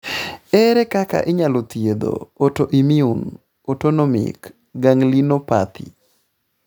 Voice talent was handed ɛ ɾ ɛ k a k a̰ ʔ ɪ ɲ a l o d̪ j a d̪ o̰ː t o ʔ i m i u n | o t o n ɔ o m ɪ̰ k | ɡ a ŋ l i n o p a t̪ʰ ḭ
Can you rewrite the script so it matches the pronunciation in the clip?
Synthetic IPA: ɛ ɾ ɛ k a k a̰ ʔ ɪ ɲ a l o t̪ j e d̪ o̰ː t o ʔ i m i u n | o t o n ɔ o m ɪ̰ k | ɡ a ŋ l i n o p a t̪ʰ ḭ